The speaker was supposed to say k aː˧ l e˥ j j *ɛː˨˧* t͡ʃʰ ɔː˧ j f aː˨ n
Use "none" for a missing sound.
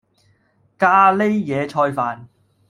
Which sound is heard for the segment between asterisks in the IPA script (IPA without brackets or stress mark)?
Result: ɛː˨˧